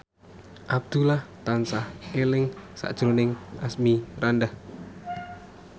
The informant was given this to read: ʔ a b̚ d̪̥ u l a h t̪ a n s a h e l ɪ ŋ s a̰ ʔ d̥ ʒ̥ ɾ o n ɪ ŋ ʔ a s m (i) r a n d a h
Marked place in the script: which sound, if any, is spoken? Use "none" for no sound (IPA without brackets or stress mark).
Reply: i